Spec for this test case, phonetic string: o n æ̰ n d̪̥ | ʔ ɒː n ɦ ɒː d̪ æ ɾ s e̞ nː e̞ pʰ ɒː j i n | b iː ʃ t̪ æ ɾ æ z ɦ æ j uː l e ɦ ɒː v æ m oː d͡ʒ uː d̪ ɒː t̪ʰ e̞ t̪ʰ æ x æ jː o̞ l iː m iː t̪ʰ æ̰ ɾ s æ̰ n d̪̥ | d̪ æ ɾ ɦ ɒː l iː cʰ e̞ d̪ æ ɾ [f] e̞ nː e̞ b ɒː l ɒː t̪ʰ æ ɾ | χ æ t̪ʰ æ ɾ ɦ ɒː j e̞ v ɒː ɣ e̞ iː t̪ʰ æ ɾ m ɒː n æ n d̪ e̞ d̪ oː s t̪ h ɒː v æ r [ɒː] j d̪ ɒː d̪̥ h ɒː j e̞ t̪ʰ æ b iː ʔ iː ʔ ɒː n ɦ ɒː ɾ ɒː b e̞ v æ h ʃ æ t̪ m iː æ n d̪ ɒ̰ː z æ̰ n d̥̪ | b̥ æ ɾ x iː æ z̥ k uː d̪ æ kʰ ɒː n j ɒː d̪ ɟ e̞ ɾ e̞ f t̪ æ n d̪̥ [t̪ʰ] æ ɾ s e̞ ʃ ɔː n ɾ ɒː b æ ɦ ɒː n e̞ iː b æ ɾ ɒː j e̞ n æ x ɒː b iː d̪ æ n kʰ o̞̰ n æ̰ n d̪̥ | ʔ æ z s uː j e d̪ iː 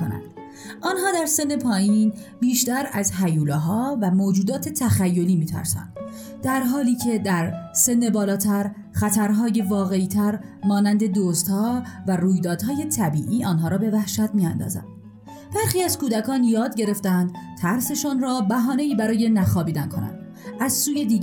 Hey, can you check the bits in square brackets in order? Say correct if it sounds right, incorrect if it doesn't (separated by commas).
incorrect, incorrect, correct